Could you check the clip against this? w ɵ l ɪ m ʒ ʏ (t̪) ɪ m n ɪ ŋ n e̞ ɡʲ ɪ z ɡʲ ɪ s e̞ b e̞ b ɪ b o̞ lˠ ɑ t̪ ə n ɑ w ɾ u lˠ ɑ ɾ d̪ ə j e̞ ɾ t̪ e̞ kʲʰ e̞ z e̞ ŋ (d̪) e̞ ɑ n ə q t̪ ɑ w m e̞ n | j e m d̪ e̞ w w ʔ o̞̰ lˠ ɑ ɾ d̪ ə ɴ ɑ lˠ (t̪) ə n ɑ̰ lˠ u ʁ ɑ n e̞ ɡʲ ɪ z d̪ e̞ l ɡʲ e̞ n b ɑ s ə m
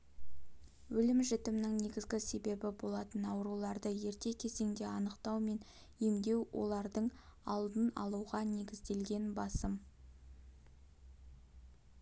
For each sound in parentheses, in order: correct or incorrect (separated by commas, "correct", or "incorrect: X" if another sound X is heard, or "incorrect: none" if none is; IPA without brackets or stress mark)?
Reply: correct, correct, incorrect: d̪